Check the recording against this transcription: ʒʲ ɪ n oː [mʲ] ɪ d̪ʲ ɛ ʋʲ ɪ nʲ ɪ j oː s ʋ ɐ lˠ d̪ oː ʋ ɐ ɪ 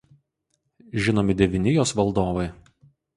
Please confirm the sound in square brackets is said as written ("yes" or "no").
yes